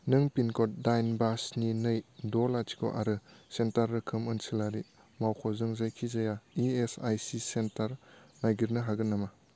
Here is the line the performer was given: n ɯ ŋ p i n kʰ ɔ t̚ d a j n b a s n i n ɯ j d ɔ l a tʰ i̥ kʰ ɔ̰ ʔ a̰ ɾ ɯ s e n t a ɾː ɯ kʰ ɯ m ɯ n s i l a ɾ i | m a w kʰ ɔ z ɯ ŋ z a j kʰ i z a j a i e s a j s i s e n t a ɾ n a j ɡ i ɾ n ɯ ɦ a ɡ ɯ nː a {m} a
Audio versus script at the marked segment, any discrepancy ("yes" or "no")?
no